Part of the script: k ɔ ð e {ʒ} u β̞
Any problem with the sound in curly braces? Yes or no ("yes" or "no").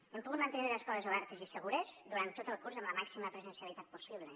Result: yes